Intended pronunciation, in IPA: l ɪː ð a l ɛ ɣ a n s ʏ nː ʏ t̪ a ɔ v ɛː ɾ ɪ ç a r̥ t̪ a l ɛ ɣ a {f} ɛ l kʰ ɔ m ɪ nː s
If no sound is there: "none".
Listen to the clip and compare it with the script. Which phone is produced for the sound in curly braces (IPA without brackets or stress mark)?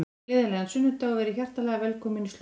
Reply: v